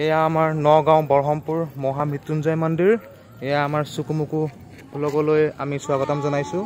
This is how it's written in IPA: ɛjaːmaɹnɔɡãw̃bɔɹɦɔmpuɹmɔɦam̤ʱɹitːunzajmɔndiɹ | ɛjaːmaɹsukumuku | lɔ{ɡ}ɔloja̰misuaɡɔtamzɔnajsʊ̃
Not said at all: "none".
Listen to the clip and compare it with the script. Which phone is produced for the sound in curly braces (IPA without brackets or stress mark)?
ɡ